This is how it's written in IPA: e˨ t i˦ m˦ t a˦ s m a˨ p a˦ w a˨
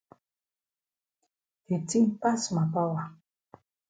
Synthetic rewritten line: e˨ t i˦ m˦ p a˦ s m a˨ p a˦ w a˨